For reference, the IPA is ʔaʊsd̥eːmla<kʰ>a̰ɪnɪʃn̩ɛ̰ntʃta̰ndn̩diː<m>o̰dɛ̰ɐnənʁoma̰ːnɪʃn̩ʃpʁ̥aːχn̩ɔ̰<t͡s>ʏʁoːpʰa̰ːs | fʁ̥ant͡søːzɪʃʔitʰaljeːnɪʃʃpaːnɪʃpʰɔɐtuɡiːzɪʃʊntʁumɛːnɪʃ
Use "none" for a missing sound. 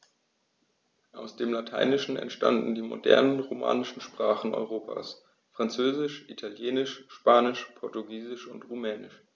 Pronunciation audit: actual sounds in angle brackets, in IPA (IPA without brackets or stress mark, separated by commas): tʰ, m, none